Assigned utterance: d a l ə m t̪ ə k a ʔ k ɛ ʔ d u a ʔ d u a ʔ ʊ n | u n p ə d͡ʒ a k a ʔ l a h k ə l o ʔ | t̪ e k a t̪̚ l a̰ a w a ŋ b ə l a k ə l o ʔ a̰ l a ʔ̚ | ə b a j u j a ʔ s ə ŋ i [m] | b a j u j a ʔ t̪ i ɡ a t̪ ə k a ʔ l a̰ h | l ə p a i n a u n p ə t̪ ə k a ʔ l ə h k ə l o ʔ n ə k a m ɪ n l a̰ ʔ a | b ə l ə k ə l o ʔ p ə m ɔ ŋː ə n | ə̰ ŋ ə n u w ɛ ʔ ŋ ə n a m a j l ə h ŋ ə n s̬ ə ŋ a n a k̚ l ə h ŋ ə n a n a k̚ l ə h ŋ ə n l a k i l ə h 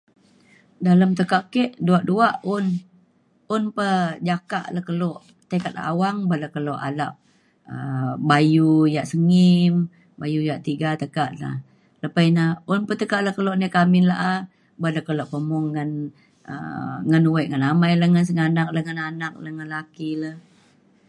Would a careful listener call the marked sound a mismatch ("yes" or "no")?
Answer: no